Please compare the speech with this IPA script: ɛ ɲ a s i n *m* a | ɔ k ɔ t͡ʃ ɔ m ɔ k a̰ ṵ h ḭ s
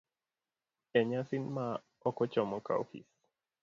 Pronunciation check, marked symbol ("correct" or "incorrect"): correct